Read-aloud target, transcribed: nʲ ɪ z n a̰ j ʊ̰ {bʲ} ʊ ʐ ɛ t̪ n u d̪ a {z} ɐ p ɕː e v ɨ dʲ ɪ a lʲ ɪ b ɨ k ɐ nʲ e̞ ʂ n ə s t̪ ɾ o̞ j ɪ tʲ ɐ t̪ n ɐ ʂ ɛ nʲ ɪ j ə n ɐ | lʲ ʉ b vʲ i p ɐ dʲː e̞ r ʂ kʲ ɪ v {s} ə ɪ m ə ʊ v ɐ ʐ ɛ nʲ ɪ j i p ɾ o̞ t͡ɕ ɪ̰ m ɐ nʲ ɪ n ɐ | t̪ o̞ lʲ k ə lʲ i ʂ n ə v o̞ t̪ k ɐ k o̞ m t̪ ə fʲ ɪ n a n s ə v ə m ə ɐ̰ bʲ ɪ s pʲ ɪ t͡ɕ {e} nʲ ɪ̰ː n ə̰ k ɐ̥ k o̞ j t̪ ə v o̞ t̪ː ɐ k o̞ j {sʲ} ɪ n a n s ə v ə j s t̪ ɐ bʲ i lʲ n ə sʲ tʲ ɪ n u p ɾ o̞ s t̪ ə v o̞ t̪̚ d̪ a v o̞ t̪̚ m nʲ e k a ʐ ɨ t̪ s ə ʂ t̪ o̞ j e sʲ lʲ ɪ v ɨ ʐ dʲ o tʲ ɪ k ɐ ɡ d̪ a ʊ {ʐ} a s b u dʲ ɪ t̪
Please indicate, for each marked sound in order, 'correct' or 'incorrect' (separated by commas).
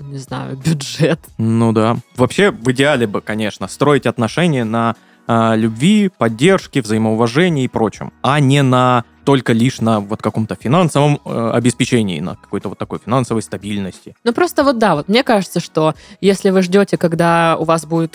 correct, incorrect, incorrect, correct, incorrect, incorrect